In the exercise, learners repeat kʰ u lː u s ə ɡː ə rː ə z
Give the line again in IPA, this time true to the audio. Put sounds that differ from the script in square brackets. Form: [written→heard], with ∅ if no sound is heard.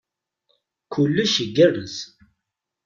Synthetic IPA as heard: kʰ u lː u [s→ʃ] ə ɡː ə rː ə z